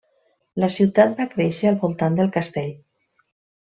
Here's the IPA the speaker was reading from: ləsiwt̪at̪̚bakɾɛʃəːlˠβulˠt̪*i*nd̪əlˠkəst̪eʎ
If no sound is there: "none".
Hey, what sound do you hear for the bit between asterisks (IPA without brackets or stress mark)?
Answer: a